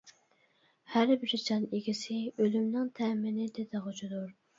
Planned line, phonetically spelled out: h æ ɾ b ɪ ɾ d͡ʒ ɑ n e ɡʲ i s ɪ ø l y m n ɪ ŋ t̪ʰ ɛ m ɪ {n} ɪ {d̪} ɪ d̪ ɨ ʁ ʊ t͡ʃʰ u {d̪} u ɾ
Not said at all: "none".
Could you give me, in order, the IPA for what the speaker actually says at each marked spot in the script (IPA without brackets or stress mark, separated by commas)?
n, d̪, d̪